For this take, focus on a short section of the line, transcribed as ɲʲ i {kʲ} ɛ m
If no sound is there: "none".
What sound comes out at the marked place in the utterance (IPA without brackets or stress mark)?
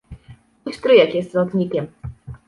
kʲ